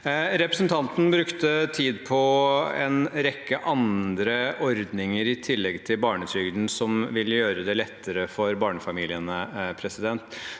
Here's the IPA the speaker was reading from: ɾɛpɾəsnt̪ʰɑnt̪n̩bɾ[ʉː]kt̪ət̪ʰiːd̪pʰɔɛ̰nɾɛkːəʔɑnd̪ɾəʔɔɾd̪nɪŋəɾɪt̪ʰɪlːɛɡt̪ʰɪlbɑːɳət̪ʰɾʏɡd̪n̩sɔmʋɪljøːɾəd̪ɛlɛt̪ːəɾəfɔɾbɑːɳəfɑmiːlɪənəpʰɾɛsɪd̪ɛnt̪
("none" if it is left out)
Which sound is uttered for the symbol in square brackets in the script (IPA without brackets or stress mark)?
ʉ